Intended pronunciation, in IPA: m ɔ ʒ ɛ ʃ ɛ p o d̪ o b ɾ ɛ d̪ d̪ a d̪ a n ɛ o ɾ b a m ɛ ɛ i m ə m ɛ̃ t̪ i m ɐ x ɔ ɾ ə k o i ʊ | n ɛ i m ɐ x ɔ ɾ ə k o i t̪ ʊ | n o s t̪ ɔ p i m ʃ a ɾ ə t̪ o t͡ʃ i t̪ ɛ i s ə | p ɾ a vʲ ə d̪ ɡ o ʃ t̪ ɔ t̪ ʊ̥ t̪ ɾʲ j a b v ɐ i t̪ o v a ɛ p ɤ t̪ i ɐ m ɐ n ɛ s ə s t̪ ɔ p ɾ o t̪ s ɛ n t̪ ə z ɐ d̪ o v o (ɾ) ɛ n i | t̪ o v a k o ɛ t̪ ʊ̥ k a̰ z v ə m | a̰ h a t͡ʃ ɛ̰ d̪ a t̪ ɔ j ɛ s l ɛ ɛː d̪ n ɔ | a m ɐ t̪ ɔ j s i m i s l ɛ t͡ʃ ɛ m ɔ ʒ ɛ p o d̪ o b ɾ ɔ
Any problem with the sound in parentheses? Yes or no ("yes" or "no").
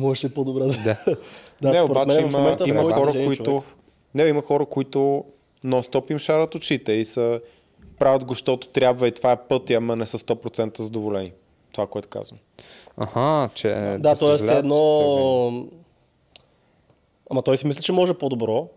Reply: yes